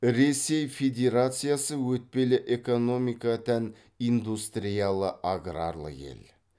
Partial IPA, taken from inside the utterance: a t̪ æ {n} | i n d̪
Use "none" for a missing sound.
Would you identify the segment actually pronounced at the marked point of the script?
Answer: n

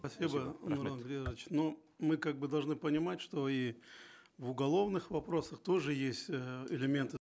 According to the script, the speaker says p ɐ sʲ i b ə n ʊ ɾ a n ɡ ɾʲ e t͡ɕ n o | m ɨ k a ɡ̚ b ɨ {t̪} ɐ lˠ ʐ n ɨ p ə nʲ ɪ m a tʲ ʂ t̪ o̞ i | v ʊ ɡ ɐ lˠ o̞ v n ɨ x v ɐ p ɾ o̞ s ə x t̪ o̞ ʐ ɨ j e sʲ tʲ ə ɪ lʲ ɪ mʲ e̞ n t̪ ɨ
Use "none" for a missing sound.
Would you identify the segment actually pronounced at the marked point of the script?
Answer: d̪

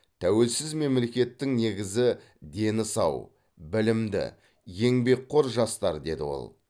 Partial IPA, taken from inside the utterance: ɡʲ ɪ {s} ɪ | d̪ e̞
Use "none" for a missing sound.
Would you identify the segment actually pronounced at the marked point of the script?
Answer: z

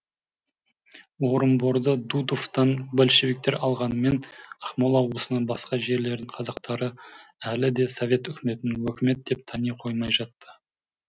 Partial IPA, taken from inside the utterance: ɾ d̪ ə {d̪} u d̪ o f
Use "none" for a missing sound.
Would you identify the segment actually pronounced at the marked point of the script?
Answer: d̪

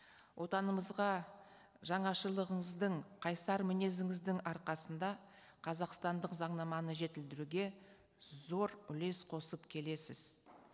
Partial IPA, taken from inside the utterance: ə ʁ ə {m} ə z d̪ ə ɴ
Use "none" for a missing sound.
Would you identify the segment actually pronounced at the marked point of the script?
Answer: ɴ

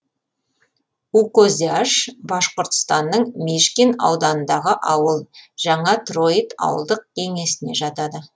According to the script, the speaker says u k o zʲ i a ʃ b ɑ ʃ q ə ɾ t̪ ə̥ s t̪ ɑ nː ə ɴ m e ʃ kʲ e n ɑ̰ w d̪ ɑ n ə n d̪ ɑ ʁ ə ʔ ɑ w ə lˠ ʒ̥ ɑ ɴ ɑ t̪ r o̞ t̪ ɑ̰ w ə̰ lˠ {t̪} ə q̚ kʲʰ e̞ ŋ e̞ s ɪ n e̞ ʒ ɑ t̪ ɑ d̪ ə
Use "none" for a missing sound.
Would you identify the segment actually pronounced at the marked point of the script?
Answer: d̪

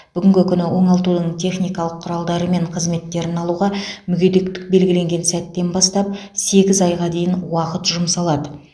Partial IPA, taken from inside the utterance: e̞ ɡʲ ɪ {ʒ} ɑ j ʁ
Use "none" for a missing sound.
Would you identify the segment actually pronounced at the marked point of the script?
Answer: z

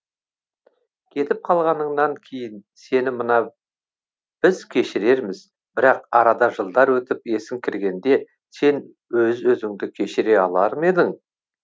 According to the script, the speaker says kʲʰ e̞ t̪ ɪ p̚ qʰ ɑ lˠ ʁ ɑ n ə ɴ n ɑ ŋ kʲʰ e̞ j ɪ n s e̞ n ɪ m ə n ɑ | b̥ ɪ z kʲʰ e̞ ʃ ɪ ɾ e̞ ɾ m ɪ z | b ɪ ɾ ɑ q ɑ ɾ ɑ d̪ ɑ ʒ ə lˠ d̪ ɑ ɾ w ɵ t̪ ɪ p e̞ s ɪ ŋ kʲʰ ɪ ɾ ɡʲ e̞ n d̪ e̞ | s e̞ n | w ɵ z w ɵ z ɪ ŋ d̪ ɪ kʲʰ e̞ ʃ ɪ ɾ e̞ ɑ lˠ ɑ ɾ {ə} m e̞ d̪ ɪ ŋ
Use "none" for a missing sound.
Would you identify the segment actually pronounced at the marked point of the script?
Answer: ə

